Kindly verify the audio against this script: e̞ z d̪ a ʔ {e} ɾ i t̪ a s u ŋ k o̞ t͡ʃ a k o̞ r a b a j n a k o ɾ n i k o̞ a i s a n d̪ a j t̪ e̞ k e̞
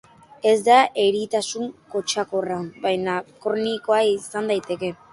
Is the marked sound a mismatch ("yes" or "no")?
no